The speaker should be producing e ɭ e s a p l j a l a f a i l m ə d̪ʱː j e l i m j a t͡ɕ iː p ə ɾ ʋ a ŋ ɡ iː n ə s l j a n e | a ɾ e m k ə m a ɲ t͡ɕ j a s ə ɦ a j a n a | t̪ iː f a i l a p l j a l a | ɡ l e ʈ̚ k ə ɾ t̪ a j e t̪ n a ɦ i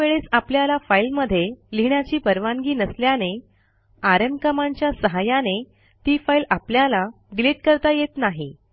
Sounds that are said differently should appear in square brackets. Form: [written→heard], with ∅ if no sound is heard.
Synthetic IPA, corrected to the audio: e ɭ e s a p l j a l a f a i l m ə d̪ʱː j e l i [m→ɳ] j a t͡ɕ iː p ə ɾ ʋ a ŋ ɡ iː n ə s l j a n e | a ɾ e m k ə m a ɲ t͡ɕ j a s ə ɦ a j a n [a→e] | t̪ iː f a i l a p l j a l a | ɡ l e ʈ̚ k ə ɾ t̪ a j e t̪ n a ɦ i

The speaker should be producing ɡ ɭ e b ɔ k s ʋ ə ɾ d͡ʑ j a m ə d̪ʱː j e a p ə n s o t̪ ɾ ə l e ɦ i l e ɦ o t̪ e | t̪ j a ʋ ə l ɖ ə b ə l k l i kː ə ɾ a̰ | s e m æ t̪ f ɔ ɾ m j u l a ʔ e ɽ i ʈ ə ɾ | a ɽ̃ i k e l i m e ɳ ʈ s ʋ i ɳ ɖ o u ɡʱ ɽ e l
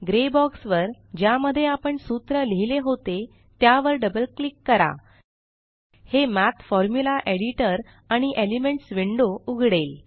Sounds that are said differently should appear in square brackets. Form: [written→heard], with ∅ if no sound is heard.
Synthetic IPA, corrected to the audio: ɡ [ɭ→ɾ] e b ɔ k s ʋ ə ɾ d͡ʑ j a m ə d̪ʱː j e a p ə [n→ɳ] s [o→u] t̪ ɾ ə l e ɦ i l e ɦ o t̪ e | t̪ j a ʋ ə [l→ɾ] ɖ ə b ə l k l i kː ə ɾ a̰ | [s→h] e m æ t̪ f ɔ ɾ m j u l a ʔ e ɽ i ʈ ə ɾ | a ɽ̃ i [k→ʔ] e l i m e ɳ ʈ s ʋ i ɳ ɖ o u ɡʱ ɽ e l

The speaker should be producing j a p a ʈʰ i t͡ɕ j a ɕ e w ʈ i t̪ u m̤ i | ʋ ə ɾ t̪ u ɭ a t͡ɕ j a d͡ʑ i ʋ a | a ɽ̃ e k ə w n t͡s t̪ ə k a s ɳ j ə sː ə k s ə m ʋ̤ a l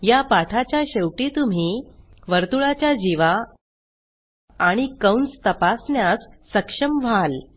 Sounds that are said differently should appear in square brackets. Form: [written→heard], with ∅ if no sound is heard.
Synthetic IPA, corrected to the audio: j a p a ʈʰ [i→a] t͡ɕ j a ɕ e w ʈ i t̪ u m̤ i | ʋ ə ɾ t̪ u ɭ a t͡ɕ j a d͡ʑ i ʋ a | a ɽ̃ [e→i] k ə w n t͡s t̪ ə [k→p] a s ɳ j [ə→a] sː ə k [s→ʂ] ə m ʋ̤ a l

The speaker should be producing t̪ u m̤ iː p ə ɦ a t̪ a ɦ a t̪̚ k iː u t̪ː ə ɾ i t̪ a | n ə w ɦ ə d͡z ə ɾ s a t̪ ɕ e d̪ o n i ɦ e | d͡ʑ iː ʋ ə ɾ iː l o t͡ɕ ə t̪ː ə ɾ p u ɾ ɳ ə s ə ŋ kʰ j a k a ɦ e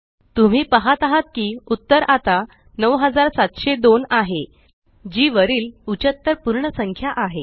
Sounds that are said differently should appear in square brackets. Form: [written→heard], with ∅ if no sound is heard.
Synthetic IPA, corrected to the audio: t̪ u m̤ iː p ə ɦ a t̪ a ɦ a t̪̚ k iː u t̪ː ə ɾ [i→a] t̪ a | n ə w ɦ ə d͡z [ə→a] ɾ s a t̪ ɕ e d̪ o n [i→a] ɦ e | d͡ʑ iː ʋ ə ɾ iː l [o→u] t͡ɕ ə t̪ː ə ɾ p u ɾ ɳ ə s ə ŋ kʰ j a [k→ʔ] a ɦ e

